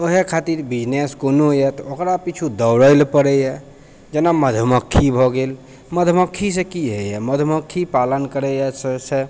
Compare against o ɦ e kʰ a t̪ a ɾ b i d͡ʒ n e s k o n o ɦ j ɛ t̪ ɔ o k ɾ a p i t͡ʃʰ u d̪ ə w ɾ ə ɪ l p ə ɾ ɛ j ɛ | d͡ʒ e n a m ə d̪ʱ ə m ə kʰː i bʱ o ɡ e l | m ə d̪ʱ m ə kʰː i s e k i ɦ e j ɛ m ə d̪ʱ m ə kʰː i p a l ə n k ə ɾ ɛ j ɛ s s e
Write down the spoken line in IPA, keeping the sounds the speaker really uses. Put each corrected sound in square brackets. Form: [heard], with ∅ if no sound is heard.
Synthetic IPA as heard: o ɦ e kʰ a t̪ [i] ɾ b i d͡ʒ n e s k o n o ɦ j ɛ t̪ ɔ o k ɾ a p i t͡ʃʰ u d̪ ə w ɾ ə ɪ l p ə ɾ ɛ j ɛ | d͡ʒ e n a m ə d̪ʱ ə m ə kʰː i bʱ [ɔ] ɡ e l | m ə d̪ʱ m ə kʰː i s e k i ɦ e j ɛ m ə d̪ʱ m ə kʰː i p a l ə n k ə ɾ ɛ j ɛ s s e